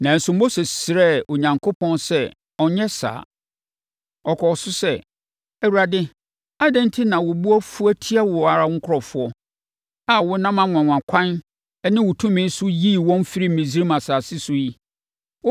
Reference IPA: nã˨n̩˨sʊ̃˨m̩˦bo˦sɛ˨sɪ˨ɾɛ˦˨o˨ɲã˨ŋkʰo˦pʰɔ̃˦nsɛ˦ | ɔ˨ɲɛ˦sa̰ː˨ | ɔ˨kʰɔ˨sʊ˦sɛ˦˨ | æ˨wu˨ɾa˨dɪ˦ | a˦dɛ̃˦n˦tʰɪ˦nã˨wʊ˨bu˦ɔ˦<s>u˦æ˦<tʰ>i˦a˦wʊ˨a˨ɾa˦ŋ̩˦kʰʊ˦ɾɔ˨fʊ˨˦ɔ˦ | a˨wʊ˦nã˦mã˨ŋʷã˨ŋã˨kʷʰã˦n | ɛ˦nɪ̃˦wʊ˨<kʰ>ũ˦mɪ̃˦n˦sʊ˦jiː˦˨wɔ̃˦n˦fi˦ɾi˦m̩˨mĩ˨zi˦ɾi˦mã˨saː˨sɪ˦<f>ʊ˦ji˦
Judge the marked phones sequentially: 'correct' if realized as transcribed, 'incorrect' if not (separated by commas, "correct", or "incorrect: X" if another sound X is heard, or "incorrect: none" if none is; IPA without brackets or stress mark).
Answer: incorrect: f, correct, incorrect: tʰ, incorrect: s